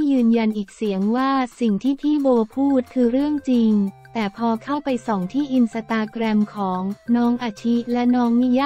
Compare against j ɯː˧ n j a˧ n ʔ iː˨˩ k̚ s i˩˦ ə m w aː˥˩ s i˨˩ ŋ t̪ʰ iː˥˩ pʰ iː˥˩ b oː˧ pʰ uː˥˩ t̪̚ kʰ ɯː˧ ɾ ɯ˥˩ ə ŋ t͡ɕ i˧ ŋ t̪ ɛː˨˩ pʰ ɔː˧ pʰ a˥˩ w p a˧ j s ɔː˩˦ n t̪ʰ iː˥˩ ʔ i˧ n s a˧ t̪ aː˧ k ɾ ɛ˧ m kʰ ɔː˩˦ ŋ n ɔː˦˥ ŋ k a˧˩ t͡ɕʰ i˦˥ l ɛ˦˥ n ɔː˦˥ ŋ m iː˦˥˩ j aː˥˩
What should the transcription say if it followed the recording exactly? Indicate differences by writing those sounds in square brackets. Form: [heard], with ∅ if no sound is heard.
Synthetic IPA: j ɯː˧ n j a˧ n ʔ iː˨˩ k̚ s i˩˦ ə [ŋ] w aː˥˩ s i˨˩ ŋ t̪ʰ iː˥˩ pʰ iː˥˩ b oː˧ pʰ uː˥˩ t̪̚ kʰ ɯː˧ ɾ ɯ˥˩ ə ŋ t͡ɕ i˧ ŋ t̪ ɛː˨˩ pʰ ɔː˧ [kʰ] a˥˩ w p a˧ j s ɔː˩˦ [ŋ] t̪ʰ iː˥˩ ʔ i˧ n s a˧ t̪ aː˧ k ɾ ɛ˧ m kʰ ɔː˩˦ ŋ n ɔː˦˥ ŋ [ʔ] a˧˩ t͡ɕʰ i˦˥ l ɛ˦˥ n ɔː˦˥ ŋ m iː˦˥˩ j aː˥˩